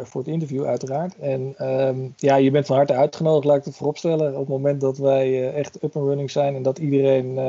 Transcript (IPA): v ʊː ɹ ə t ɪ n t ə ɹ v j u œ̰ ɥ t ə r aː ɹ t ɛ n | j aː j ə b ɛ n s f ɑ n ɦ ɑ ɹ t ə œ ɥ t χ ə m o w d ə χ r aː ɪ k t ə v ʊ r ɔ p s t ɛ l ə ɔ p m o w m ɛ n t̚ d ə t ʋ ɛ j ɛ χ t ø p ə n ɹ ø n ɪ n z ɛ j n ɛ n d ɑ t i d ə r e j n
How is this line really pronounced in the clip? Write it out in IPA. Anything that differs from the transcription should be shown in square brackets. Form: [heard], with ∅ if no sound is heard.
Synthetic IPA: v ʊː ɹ ə t ɪ n t ə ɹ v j u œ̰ ɥ t ə r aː ɹ t ɛ n | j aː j ə b ɛ n [t] f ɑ n ɦ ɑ ɹ t ə œ ɥ t χ ə [n] o w d ə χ [l] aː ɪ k t ə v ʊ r ɔ p s t ɛ l ə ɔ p m o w m ɛ n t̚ d [ɑ] t ʋ ɛ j ɛ χ t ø p ə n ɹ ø n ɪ [ŋ] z ɛ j n ɛ n d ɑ t i d ə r e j n